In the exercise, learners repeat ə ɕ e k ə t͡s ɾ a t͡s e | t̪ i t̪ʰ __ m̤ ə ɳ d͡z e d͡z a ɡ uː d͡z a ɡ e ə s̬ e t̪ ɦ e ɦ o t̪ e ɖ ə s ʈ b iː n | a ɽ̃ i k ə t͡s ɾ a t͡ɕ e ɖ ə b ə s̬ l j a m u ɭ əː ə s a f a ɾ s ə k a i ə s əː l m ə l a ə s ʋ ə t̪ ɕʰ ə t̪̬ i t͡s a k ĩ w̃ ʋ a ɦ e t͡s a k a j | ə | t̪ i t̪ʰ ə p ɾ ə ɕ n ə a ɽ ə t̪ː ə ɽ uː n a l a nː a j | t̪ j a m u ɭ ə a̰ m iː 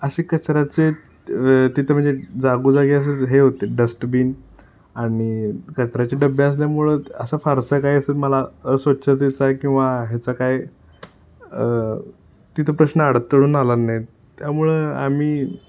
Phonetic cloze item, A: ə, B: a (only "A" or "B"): A